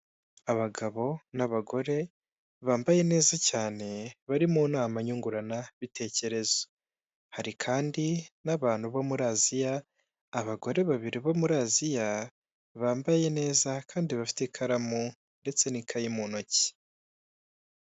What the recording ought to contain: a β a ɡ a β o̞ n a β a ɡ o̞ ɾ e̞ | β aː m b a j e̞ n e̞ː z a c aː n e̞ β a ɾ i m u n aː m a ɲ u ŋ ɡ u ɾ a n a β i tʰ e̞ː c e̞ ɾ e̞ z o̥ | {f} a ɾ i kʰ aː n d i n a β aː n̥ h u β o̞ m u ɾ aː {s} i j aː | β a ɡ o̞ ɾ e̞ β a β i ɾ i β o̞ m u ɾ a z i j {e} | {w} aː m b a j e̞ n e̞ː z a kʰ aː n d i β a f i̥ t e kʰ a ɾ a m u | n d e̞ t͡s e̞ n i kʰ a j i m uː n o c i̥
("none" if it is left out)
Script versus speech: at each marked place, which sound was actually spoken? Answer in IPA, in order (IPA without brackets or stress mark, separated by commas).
h, z, a, β